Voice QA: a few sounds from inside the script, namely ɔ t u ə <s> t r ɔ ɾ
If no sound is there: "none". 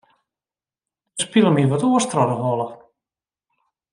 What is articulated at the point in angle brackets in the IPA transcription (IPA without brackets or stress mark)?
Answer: s